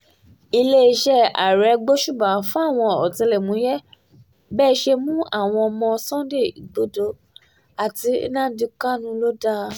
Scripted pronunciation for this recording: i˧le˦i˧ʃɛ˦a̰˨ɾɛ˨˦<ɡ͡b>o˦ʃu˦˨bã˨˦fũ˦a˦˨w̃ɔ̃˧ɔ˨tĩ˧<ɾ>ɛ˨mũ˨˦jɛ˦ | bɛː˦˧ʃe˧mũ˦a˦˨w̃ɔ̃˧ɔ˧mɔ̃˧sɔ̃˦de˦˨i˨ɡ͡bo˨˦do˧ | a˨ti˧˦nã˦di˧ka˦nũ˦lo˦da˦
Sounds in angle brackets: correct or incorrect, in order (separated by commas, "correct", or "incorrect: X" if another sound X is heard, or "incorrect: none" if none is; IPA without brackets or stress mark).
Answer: correct, incorrect: l